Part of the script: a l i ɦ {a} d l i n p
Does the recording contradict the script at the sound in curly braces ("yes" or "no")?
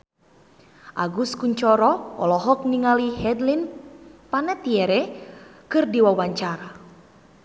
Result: yes